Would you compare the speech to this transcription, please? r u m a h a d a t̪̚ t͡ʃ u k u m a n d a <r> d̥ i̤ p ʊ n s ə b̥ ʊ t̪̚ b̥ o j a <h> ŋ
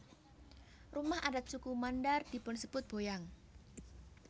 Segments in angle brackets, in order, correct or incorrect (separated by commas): correct, incorrect